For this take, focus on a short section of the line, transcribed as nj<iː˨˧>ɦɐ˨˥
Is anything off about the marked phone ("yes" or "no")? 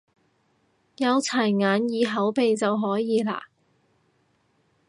no